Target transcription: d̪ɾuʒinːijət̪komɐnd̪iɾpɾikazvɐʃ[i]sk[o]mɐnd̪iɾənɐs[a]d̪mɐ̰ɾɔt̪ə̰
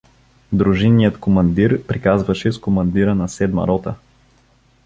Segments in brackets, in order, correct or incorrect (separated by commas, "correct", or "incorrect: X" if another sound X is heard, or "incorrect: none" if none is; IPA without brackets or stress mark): incorrect: ɛ, correct, incorrect: ɛ